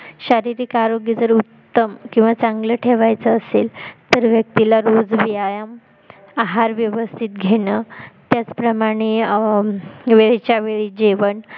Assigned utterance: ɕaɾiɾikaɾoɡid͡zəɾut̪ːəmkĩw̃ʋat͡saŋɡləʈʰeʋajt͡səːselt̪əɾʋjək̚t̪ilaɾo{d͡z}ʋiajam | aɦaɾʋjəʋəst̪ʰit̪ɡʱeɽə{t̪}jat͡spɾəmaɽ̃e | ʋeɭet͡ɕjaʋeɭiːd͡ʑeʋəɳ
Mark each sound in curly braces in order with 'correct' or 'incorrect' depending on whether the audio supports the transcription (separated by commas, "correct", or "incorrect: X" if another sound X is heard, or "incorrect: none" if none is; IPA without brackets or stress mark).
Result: correct, correct